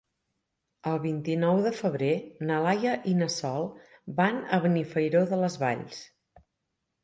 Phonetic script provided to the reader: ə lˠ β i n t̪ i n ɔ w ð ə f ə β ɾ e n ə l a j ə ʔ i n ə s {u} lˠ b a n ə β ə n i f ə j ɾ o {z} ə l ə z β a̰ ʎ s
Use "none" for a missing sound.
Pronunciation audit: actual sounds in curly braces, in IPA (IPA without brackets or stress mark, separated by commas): ɔ, ð